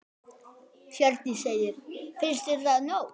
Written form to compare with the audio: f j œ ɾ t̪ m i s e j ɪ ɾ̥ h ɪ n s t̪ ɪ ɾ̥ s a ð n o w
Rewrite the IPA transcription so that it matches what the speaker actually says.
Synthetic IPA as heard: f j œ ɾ t̪ n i s e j ɪ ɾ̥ f ɪ n s t̪ ɪ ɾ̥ θ a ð n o w

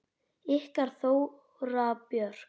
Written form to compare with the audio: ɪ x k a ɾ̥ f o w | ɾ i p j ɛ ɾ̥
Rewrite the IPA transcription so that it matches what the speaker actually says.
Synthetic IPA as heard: ɪ h k a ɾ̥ θ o w | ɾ a p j œ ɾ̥

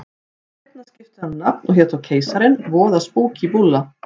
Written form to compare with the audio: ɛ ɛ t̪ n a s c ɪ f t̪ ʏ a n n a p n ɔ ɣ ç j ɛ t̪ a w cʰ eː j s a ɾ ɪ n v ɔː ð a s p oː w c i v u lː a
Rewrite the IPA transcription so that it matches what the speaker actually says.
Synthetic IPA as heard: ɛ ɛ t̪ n a s c ɪ f t̪ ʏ a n n a p n ɔ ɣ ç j ɛ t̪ a w cʰ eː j s a ɾ ɪ n v ɔː ð a s p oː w c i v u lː a

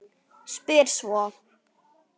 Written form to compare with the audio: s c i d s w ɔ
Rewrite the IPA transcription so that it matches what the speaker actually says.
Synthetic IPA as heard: s p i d s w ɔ

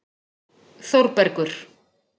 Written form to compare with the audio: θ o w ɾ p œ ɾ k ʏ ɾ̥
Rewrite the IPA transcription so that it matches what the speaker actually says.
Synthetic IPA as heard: θ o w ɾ p ɛ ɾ k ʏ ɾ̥

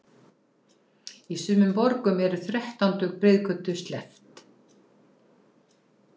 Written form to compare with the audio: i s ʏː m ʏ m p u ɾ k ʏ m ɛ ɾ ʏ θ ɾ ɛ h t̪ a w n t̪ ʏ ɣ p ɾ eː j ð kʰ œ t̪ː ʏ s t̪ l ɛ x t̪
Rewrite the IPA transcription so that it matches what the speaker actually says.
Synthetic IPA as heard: i s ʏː m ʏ m p ɔ ɾ k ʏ m ɛ ɾ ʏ θ ɾ ɛ h t̪ a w n t̪ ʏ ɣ p ɾ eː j ð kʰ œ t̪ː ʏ s t̪ l ɛ f t̪

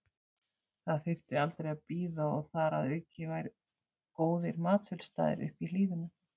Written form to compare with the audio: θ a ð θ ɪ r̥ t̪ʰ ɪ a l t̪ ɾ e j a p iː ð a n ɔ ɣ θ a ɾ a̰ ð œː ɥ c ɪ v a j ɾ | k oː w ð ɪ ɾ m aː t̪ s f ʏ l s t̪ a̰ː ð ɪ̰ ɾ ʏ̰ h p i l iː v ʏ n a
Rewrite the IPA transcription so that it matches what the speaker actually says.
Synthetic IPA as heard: θ a ð θ ɪ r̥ t̪ ɪ a l t̪ ɾ e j a p iː ð a ɔ ɣ θ a ɾ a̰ ð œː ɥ c ɪ v a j ɾ | k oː w ð ɪ ɾ m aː t̪ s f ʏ l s t̪ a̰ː ð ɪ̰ ɾ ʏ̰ h p i l iː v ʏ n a

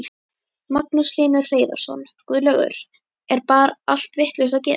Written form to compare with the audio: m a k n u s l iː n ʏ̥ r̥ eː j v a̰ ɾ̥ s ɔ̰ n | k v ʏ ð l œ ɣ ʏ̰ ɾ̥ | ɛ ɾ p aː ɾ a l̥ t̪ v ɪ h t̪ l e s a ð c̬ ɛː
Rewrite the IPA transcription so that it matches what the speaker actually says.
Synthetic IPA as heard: m a k n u s l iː n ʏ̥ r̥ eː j ð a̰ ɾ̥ s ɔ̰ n | k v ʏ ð l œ ɣ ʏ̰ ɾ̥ | ɛ ɾ p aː ɾ a l̥ t̪ v ɪ h t̪ l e s a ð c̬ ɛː

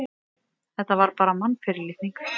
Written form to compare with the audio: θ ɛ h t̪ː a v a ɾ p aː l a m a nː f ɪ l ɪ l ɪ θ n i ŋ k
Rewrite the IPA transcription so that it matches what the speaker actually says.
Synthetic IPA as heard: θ ɛ h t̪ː a v a ɾ p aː ɾ a m a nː f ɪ ɾ ɪ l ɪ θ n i ŋ k

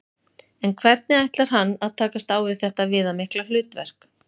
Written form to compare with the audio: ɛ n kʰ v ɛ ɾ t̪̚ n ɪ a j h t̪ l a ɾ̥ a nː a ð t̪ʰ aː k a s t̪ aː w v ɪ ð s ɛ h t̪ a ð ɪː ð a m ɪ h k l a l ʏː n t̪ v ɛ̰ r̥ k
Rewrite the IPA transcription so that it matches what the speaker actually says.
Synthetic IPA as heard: ɛ n kʰ v ɛ ɾ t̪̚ n ɪ a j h t̪ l a ɾ̥ a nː a ð t̪ʰ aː k a s t̪ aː w v ɪ ð θ ɛ h t̪ a v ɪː ð a m ɪ h k l a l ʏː t̪ v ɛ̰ r̥ k

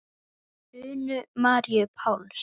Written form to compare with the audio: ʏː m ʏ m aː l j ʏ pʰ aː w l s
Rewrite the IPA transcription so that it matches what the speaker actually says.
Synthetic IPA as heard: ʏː n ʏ m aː ɾ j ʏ pʰ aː w l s

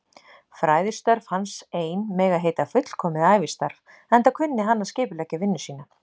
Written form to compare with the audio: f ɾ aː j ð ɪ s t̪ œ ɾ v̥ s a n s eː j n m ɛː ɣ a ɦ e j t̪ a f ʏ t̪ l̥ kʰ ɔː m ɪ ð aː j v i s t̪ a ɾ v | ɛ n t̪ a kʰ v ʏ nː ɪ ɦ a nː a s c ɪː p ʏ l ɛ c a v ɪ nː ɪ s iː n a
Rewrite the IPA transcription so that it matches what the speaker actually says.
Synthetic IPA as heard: f ɾ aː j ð ɪ s t̪ œ ɾ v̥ h a n s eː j n m ɛː ɣ a ɦ e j t̪ a f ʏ t̪ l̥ kʰ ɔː m ɪ ð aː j v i s t̪ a ɾ v | ɛ n t̪ a kʰ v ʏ nː ɪ ɦ a nː a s c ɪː p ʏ l ɛ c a v ɪ nː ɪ s iː n a

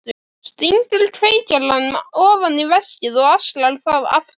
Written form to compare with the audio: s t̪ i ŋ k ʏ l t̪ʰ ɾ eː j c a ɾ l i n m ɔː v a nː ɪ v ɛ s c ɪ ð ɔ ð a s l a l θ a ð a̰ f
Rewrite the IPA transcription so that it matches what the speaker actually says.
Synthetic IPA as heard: s t̪ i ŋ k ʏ l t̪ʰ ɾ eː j c a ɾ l a n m ɔː v a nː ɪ v ɛ s c ɪ ð ɔ ɣ a s l a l θ a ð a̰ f

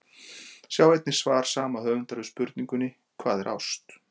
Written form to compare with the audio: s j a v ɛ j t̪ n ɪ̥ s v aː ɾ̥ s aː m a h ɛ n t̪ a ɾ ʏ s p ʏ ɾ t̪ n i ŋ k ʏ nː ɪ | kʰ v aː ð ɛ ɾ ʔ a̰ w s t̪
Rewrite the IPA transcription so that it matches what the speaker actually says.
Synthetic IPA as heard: s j a w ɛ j t̪ n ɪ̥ s v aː ɾ̥ s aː m a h œ n t̪ a ɾ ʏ s p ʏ ɾ t̪ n i ŋ k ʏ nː ɪ | kʰ v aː ð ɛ ɾ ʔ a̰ w s t̪

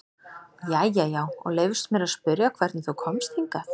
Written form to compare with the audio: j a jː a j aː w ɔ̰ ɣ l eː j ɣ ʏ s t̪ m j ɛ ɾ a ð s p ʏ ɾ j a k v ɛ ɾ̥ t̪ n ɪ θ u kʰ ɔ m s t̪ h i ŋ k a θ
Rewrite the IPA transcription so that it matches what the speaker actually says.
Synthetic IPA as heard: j a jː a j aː w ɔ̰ ɣ l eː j v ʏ s t̪ m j ɛ ɾ a ð s p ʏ ɾ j a kʰ v ɛ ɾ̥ t̪ n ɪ θ u kʰ ɔ m s t̪ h i ŋ k a θ

